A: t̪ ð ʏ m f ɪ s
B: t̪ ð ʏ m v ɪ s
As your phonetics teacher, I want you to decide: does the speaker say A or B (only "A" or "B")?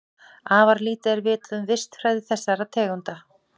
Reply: B